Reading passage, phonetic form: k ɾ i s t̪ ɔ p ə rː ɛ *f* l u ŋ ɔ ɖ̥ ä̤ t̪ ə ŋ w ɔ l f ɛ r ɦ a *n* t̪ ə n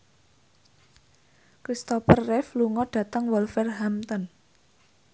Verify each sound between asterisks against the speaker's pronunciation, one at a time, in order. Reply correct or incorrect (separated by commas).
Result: correct, incorrect